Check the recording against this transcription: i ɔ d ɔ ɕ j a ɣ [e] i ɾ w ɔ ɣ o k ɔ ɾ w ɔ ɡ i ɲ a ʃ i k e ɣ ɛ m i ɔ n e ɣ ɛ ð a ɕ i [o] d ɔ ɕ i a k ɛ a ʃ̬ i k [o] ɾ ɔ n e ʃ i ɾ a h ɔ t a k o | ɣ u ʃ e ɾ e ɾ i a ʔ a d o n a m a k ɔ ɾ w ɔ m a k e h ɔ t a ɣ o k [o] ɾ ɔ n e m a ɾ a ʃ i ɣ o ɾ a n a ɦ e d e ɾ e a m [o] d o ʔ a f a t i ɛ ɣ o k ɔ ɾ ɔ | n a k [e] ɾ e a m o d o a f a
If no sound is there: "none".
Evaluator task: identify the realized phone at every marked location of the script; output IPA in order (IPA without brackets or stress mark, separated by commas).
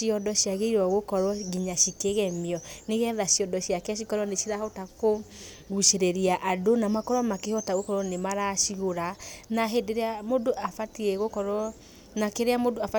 e, ɔ, ɔ, ɔ, o, e